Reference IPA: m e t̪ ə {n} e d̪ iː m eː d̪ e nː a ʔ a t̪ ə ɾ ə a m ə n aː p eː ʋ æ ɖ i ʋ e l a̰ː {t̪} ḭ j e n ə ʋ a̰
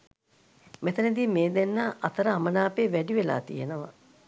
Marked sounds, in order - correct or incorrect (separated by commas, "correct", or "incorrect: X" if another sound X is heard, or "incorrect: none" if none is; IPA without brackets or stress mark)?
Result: correct, correct